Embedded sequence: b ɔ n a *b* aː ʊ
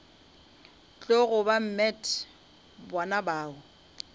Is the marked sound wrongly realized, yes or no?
no